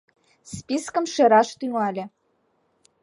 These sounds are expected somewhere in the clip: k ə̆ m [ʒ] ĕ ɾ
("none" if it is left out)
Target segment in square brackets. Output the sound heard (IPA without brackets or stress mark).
ʃ